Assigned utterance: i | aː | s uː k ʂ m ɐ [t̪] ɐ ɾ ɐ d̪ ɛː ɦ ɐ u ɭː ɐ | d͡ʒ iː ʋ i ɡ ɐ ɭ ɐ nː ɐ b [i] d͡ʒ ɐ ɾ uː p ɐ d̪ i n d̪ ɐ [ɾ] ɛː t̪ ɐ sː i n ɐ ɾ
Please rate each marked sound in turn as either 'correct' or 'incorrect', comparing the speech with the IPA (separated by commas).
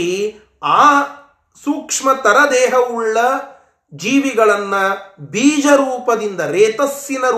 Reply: correct, incorrect, correct